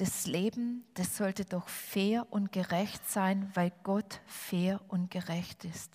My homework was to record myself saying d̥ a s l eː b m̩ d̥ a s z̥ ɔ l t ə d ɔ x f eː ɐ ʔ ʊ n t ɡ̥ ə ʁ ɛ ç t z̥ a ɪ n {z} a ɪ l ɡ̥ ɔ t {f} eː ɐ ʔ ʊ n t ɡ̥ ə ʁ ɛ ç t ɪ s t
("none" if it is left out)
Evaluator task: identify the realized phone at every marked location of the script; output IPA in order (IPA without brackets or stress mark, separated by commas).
v, f